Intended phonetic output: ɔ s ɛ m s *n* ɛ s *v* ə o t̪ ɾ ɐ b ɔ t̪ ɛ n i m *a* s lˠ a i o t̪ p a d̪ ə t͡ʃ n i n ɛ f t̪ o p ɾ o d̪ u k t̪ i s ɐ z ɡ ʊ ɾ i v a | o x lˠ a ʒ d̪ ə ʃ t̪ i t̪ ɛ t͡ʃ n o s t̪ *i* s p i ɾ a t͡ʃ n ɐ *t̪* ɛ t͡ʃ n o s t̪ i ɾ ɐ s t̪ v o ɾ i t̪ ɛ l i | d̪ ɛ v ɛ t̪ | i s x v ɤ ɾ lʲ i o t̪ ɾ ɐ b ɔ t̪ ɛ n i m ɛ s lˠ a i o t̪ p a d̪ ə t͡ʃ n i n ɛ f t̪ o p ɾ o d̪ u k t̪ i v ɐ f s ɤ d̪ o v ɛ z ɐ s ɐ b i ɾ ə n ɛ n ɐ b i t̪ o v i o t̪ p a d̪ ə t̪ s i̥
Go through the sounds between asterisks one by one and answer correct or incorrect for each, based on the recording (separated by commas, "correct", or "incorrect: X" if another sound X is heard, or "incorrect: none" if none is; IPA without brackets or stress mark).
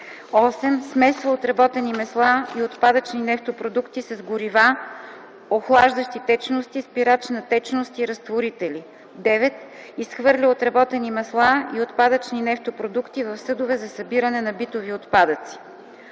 incorrect: m, correct, incorrect: ɛ, correct, correct